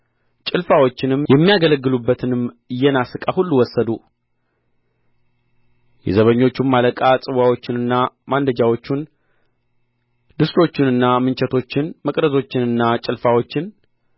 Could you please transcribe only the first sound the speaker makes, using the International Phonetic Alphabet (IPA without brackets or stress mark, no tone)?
t͡ʃʼ